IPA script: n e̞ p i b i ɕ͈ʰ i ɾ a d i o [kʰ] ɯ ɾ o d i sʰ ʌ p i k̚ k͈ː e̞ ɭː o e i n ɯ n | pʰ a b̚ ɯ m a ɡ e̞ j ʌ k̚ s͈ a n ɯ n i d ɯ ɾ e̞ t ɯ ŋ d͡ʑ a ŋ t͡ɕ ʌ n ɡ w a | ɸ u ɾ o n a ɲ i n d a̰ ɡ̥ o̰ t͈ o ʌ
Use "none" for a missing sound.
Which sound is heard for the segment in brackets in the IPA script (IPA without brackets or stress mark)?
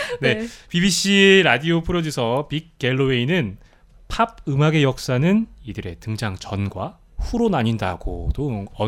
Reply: pʰ